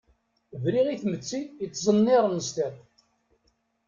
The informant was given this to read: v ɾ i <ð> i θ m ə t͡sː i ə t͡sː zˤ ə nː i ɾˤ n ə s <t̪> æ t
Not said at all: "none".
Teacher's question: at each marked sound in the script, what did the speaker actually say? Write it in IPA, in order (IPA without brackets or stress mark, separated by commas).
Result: ʁ, t̪